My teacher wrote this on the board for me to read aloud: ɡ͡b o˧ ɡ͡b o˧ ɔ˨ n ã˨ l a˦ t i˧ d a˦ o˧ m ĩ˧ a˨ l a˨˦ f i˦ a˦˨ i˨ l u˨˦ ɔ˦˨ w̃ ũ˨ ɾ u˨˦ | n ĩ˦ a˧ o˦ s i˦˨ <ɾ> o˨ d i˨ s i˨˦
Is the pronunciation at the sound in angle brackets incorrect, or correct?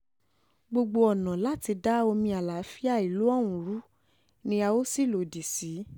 incorrect